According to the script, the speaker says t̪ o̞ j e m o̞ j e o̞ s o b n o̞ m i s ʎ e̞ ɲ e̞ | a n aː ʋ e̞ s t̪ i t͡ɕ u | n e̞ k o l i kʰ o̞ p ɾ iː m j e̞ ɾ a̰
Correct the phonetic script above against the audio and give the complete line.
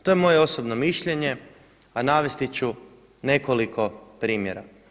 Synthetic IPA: t̪ o̞ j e m o̞ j e o̞ s o b n o̞ m i ʃ ʎ e̞ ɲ e̞ | a n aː ʋ e̞ s t̪ i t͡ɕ u | n e̞ k o l i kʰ o̞ p ɾ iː m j e̞ ɾ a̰